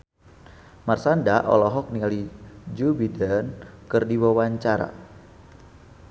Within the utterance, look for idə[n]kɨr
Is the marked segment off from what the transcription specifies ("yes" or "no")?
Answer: no